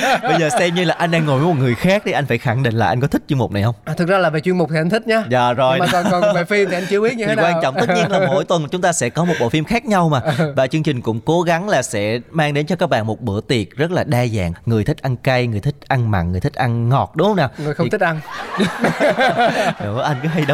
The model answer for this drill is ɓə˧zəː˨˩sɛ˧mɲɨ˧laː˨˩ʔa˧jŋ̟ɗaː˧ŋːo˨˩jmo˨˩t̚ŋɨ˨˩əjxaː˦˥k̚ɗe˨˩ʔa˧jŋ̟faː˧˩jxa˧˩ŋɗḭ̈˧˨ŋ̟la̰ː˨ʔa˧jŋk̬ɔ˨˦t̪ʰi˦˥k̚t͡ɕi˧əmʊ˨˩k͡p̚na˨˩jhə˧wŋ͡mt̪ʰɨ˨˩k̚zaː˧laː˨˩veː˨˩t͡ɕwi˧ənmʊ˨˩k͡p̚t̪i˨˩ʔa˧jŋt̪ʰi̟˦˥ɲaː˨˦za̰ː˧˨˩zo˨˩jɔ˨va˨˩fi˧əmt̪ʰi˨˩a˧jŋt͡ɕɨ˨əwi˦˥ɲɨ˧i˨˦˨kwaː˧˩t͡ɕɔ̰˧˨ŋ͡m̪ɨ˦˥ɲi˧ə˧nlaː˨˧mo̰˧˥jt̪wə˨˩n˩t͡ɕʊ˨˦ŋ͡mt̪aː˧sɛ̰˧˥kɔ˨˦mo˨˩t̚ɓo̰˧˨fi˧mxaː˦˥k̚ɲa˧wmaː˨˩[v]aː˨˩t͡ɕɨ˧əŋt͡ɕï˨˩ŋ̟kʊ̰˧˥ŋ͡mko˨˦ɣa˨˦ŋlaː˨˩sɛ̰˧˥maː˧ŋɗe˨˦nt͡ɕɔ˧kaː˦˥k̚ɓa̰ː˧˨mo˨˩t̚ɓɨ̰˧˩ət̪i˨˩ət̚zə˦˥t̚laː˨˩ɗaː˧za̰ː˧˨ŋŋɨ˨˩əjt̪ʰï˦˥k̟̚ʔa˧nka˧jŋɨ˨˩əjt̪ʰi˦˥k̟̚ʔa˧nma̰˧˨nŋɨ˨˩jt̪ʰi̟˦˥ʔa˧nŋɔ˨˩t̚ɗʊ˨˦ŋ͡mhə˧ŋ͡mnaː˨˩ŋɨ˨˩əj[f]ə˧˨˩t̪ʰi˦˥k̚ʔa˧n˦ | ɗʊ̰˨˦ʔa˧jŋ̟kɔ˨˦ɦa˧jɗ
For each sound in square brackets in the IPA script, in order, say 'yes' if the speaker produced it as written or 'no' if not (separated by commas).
yes, no